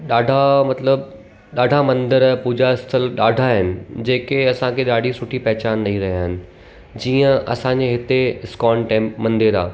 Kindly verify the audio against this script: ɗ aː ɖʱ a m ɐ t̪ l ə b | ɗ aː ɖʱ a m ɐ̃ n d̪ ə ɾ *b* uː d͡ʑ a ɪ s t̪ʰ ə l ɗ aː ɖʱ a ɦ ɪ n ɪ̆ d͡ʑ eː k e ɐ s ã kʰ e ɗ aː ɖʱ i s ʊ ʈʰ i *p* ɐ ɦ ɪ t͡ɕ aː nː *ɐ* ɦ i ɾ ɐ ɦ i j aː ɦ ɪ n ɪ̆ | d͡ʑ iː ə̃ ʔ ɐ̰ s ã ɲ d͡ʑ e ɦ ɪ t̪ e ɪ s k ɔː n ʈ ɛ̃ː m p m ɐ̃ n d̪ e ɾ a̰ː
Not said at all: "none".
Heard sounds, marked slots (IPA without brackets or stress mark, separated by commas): p, p, ɐ